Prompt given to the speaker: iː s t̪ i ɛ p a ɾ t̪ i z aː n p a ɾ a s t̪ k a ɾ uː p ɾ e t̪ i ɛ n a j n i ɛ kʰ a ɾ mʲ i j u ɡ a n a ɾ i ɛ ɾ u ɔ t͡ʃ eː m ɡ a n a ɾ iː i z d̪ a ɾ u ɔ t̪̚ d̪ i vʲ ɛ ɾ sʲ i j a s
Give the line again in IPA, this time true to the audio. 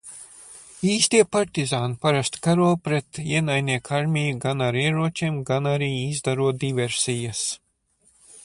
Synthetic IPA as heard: iː s t̪ i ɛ p a ɾ t̪ i z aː n p a ɾ a s t̪ k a ɾ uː p ɾ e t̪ i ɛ n a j n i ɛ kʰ a ɾ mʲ i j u ɡ a n a ɾ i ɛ ɾ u ɔ t͡ʃ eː m ɡ a n a ɾ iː i z d̪ a ɾ u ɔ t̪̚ d̪ i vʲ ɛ ɾ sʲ i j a s